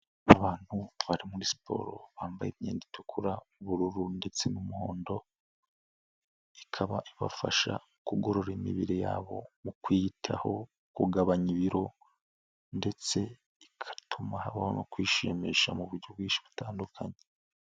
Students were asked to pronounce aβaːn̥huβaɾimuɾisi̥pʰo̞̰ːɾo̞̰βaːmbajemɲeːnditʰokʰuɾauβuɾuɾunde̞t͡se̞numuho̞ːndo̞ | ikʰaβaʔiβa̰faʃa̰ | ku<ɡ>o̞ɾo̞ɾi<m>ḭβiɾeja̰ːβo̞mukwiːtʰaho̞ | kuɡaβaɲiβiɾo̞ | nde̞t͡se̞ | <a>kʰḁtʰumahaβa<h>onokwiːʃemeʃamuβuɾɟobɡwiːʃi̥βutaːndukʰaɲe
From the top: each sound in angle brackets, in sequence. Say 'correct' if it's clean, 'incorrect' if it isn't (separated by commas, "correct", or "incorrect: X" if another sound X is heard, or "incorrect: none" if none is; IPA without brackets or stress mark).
correct, correct, incorrect: i, correct